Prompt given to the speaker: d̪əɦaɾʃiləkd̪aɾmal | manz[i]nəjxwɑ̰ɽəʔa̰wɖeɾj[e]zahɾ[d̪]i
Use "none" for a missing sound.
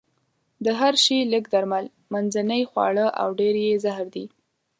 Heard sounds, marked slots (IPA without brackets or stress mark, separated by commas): a, e, d̪